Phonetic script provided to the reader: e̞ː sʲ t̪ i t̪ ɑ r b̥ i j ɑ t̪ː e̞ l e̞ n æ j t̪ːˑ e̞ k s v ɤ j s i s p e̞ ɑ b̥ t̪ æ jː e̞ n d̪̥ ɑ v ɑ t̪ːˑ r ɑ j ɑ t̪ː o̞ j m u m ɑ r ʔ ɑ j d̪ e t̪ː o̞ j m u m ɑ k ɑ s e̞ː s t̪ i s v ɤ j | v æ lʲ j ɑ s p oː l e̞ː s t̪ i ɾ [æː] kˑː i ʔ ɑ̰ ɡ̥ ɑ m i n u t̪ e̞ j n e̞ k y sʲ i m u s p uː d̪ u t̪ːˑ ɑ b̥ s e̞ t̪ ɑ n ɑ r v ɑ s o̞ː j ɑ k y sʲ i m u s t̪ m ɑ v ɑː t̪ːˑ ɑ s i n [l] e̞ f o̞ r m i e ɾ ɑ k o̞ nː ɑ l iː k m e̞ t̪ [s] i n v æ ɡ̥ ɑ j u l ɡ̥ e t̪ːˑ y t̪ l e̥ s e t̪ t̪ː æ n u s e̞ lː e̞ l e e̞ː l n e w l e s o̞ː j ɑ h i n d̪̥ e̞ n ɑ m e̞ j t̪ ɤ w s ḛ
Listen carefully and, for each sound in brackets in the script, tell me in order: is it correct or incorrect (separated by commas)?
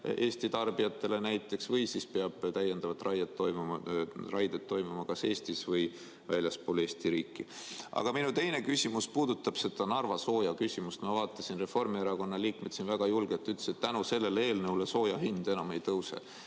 incorrect, incorrect, correct